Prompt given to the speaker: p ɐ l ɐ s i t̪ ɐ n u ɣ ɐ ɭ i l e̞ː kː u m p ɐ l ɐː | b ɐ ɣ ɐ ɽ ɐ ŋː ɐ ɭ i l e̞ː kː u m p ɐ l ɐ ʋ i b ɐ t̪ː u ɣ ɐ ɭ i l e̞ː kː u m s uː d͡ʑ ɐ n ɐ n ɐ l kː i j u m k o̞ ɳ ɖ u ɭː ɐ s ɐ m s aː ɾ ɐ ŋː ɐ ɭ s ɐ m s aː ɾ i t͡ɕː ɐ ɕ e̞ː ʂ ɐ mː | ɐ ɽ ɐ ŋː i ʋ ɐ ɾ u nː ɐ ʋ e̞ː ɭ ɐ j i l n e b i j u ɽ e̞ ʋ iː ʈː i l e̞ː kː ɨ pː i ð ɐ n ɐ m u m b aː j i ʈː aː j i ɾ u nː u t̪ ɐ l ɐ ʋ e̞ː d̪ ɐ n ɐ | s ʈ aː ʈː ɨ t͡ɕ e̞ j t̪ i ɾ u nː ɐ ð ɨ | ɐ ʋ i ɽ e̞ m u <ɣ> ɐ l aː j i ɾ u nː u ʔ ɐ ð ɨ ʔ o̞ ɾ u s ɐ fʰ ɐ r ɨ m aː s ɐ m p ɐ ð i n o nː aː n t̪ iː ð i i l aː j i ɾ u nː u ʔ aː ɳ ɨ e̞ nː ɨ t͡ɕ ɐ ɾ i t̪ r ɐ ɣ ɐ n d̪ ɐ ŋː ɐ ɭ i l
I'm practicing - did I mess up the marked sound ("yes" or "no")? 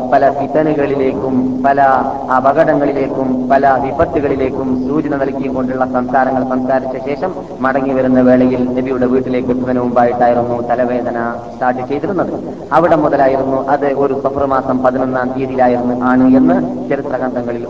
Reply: yes